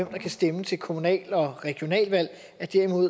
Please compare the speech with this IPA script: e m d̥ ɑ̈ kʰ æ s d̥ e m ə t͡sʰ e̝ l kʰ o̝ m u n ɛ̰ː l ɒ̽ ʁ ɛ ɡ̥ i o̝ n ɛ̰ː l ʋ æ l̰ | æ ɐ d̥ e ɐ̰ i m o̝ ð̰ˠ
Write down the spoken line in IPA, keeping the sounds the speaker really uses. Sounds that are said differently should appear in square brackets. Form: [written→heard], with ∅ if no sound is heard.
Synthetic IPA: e m d̥ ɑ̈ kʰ æ s d̥ e m ə t͡sʰ e̝ l kʰ o̝ m u n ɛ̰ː l ɒ̽ ʁ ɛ ɡ̥ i o̝ n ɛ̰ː l ʋ æ l̰ | æ ɐ d̥ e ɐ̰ i m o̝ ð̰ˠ